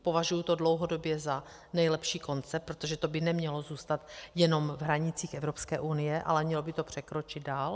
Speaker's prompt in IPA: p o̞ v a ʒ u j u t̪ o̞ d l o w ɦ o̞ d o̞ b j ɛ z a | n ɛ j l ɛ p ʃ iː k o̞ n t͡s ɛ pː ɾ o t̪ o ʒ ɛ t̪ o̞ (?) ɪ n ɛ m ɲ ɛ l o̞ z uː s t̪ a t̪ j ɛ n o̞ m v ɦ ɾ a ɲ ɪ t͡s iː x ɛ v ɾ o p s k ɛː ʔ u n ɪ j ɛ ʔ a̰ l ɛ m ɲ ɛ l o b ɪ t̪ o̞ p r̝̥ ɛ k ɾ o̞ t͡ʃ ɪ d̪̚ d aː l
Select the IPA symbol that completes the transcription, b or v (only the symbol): b